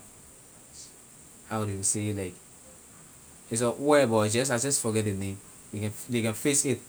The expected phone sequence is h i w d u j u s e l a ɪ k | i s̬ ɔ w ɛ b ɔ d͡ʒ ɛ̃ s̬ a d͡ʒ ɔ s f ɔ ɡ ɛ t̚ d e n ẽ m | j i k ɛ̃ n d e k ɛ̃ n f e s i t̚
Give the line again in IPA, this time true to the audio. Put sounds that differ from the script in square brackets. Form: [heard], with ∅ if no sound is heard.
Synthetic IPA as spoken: h [a] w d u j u s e l a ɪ k | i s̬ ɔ w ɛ b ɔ d͡ʒ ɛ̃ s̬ a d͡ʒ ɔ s f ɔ ɡ ɛ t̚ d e n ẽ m | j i k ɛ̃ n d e k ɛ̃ n f e s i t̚